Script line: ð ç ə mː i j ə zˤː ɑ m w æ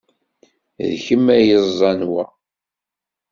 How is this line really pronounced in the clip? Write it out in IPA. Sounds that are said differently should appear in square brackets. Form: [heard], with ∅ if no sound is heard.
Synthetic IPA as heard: ð ç ə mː [æ] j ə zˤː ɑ [n] w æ